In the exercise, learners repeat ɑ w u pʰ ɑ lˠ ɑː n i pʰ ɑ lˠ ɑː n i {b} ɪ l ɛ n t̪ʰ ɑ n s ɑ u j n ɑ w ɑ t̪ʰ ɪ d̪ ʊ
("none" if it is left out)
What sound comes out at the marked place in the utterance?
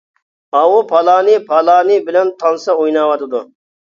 b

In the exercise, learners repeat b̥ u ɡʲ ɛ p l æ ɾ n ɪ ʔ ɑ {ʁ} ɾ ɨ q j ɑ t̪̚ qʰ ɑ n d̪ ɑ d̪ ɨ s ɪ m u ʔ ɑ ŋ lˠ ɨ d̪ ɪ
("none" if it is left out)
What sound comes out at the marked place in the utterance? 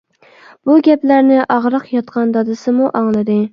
ʁ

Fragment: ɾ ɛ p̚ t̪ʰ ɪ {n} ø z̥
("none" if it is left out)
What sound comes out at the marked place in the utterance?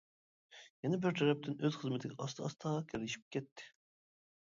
n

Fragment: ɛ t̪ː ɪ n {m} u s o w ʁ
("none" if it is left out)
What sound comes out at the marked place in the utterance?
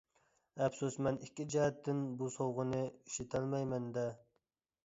b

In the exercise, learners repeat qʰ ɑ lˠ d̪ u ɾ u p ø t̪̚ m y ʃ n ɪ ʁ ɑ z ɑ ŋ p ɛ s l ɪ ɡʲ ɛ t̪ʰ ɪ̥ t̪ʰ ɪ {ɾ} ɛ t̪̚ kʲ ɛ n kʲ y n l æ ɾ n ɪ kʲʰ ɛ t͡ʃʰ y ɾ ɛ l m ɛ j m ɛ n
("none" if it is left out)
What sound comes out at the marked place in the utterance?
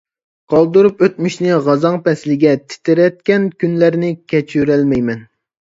ɾ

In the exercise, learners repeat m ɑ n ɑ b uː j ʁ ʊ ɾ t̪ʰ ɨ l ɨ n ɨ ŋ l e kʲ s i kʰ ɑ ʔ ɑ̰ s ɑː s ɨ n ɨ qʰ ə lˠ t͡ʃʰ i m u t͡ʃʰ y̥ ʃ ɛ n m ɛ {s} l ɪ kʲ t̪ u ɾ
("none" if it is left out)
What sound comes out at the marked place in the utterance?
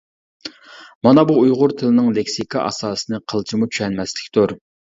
s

